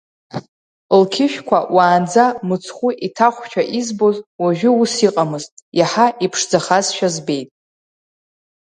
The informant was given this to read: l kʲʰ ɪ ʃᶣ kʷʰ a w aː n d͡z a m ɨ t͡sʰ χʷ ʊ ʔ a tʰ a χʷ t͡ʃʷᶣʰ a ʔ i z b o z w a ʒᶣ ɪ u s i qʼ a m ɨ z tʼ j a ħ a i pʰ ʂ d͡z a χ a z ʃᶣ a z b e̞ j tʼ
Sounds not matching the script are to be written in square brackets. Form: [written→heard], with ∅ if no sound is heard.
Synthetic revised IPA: l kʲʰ ɪ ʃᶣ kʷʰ a w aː n d͡z a m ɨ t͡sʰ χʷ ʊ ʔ [a→i] tʰ a χʷ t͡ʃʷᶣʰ a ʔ i z b o z w a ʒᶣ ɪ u s i qʼ a m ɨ z tʼ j a ħ a i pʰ ʂ d͡z a χ a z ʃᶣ a z b e̞ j tʼ